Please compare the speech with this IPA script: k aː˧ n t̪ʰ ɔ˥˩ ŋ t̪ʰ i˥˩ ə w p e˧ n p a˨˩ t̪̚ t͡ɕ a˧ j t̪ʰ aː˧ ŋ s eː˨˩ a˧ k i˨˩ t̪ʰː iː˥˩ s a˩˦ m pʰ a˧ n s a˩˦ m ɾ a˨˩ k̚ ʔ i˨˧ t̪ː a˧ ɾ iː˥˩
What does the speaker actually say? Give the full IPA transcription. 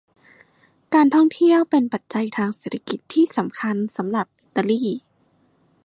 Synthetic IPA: k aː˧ n t̪ʰ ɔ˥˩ ŋ t̪ʰ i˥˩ ə w p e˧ n p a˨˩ t̪̚ t͡ɕ a˧ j t̪ʰ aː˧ ŋ s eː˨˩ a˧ k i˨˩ t̪ʰː iː˥˩ s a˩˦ m kʰ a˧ n s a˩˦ m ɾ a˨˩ p̚ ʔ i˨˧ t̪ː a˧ l iː˥˩